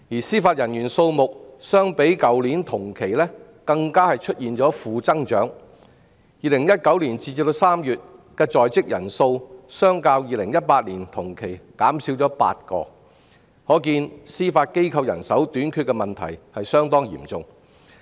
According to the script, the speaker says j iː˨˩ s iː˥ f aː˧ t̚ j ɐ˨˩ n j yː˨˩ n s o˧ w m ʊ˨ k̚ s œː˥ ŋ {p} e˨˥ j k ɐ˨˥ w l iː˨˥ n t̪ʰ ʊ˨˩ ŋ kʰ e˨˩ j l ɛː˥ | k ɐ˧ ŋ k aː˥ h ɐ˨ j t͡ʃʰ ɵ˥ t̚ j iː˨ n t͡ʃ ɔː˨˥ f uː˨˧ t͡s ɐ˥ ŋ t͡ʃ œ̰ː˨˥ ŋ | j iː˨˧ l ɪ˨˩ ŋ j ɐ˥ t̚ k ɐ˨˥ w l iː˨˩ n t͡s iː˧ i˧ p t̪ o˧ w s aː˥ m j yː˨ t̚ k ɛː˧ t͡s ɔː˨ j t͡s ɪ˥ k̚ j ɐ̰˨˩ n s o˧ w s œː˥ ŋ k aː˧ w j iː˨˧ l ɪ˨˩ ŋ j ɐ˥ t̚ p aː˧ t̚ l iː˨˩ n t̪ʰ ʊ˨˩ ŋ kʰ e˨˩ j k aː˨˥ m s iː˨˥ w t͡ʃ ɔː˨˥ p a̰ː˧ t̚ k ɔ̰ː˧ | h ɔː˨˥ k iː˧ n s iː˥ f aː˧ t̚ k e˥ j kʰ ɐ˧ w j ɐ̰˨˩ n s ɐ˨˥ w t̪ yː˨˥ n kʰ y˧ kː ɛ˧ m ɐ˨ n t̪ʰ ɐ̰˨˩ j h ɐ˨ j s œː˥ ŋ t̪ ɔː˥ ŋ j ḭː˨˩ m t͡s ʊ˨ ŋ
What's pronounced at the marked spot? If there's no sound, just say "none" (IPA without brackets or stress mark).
p